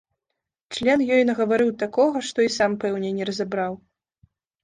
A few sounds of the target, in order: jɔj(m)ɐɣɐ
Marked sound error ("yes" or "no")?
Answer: yes